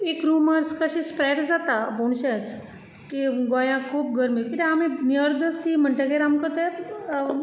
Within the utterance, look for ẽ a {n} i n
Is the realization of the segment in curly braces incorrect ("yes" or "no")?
yes